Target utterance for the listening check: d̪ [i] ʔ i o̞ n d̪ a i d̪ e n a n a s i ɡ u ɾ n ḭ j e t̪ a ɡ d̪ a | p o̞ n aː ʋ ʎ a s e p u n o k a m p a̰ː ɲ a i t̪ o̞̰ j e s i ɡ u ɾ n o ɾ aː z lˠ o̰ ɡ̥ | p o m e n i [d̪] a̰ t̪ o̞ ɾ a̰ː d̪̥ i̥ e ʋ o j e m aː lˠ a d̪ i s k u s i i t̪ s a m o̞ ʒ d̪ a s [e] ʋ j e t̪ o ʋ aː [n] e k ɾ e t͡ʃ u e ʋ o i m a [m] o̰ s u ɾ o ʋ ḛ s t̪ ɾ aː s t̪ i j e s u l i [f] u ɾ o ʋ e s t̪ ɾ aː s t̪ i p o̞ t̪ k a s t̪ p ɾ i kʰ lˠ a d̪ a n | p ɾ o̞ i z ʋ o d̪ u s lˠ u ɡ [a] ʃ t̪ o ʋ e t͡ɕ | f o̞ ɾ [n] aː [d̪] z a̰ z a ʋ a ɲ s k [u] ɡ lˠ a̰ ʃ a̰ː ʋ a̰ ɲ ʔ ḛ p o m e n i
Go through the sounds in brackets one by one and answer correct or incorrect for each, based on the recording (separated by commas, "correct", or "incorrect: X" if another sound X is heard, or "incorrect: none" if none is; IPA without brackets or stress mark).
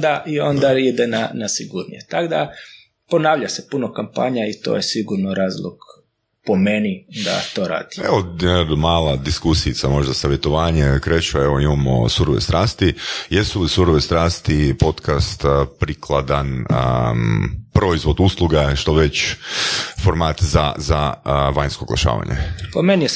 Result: incorrect: a, correct, incorrect: a, incorrect: ɲ, correct, incorrect: s, correct, incorrect: m, incorrect: t̪, incorrect: o